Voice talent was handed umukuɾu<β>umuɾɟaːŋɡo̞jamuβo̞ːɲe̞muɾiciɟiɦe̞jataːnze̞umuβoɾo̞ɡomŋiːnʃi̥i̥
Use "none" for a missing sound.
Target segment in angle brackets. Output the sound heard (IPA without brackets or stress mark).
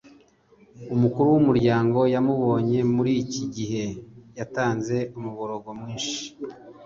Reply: w